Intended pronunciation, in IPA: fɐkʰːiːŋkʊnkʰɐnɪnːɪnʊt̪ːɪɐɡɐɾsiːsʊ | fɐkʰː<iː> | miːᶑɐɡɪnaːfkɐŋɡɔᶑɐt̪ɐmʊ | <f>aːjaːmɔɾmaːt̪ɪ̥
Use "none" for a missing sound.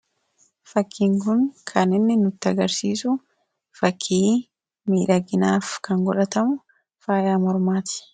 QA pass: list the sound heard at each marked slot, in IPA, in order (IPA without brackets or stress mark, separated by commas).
iː, f